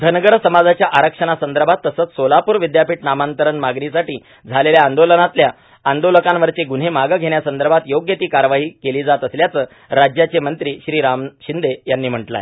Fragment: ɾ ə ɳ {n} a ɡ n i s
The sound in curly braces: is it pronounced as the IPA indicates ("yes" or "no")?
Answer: no